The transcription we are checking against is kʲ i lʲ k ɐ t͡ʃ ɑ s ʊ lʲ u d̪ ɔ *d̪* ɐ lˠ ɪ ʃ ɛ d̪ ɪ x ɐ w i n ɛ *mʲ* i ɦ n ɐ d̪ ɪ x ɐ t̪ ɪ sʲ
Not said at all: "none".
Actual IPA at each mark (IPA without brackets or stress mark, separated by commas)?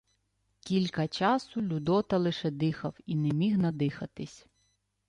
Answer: t̪, mʲ